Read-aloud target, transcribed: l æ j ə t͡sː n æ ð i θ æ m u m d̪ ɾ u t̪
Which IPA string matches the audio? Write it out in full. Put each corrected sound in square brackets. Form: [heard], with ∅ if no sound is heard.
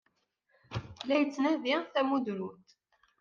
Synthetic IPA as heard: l æ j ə t͡sː n æ ð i θ æ m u [∅] d̪ ɾ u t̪